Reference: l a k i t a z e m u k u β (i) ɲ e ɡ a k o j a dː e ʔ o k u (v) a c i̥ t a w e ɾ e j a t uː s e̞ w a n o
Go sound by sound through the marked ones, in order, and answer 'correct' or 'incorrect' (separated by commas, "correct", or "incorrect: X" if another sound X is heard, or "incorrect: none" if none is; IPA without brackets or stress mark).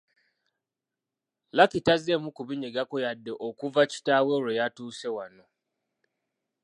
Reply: correct, correct